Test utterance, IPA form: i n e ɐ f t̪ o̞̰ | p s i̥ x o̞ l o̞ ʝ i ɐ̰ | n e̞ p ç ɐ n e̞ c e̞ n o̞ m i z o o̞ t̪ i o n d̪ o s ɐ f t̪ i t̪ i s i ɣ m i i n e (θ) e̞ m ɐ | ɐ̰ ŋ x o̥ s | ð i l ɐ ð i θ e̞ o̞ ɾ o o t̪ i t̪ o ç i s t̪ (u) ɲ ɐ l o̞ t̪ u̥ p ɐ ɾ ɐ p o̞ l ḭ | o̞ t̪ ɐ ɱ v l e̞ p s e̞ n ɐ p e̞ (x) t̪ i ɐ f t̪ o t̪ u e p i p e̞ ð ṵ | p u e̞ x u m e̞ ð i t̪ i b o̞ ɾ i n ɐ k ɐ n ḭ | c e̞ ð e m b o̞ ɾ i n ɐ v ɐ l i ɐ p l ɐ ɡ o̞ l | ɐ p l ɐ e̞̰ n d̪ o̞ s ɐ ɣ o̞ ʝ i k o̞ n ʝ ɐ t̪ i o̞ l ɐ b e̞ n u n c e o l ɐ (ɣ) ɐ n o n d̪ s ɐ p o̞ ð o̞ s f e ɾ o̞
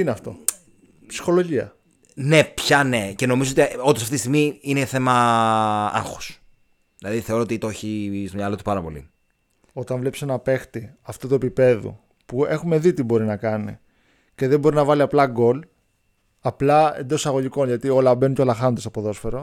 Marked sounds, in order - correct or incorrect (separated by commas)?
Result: correct, incorrect, correct, incorrect